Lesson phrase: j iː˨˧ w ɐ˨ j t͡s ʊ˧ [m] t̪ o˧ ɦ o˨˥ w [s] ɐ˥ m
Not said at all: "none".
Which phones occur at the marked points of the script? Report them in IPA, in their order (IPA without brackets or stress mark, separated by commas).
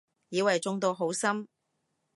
ŋ, s